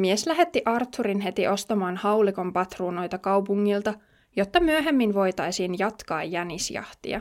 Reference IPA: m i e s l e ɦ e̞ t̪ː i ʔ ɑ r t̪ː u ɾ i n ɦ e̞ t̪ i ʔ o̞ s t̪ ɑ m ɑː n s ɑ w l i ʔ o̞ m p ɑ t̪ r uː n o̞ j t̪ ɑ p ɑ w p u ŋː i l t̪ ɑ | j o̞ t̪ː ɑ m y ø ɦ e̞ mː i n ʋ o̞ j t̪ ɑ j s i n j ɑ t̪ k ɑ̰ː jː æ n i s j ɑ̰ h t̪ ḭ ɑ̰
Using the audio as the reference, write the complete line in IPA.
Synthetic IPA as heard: m i e s l æ ɦ e̞ t̪ː i ʔ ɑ r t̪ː u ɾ i n ɦ e̞ t̪ i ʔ o̞ s t̪ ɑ m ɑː n h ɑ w l i k o̞ m p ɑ t̪ r uː n o̞ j t̪ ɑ k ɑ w p u ŋː i l t̪ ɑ | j o̞ t̪ː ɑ m y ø ɦ e̞ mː i n ʋ o̞ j t̪ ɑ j s i n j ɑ t̪ k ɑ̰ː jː æ n i s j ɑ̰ h t̪ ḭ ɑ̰